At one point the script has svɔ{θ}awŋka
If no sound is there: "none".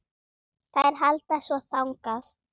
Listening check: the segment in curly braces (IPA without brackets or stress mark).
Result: θ